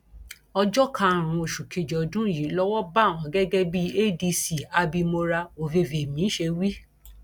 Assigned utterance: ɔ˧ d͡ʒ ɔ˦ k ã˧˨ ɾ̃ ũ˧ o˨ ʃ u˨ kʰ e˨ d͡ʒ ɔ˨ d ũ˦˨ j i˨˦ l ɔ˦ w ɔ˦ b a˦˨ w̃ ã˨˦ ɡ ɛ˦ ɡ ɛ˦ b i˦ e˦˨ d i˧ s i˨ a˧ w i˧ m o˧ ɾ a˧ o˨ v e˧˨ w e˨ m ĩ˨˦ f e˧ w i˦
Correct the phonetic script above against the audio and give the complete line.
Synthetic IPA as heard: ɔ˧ d͡ʒ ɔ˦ k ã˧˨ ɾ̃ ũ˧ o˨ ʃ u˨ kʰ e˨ d͡ʒ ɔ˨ d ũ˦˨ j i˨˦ l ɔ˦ w ɔ˦ b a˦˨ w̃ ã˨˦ ɡ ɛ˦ ɡ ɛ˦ b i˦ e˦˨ d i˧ s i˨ a˧ b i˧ m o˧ ɾ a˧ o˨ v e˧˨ v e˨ m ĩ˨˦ ʃ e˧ w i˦